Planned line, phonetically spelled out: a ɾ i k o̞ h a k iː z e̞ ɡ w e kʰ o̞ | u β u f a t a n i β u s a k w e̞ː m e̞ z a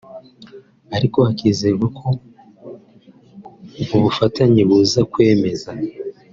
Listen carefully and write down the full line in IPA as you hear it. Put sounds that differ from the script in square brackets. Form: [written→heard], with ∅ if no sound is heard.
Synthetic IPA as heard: a ɾ i k o̞ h a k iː z e̞ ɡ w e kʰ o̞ | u β u f a t a [n→ɲ] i β u [s→z] a k w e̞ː m e̞ z a